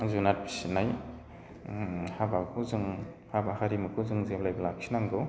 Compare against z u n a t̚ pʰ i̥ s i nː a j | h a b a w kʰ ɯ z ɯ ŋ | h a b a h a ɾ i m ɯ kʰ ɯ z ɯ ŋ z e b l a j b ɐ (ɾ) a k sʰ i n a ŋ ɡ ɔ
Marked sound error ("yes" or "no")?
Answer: yes